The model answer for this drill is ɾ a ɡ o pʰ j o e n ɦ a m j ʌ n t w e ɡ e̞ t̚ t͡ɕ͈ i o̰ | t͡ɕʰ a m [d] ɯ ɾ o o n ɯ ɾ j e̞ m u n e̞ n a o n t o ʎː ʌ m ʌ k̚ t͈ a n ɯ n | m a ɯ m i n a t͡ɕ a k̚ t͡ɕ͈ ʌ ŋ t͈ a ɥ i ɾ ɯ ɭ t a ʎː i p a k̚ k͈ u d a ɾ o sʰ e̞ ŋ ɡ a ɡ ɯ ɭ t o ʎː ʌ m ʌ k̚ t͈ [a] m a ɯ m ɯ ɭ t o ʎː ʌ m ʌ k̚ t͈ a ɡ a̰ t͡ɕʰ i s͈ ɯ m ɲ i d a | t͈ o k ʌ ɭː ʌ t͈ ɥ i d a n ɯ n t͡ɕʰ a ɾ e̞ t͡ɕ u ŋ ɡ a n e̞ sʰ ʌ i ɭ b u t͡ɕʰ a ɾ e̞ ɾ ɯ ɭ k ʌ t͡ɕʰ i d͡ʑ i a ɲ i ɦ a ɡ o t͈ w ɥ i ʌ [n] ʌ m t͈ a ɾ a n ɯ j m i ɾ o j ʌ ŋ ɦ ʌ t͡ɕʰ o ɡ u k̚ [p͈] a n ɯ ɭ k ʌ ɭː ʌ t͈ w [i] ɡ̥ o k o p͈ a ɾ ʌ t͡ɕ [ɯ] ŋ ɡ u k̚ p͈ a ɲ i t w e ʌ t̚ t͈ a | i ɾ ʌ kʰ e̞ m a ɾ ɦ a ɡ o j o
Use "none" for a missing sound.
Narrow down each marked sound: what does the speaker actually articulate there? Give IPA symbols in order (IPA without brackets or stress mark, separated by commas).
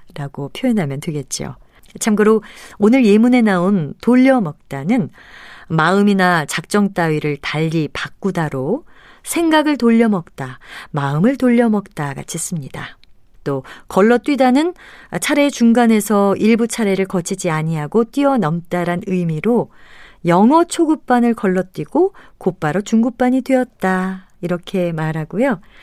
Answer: ɡ, a, n, p͈, i, u